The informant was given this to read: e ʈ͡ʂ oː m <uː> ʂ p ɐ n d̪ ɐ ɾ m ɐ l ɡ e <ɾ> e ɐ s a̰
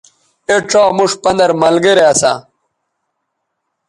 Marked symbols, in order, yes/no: no, yes

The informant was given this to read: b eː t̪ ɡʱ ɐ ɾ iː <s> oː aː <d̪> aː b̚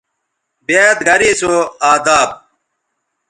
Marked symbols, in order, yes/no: yes, yes

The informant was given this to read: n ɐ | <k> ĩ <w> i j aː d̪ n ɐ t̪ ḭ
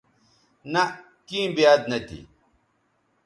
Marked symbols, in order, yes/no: yes, no

